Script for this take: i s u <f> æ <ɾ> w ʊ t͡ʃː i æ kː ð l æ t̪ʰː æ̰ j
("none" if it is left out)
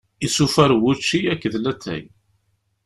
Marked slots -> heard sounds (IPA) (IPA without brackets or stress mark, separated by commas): f, ɾ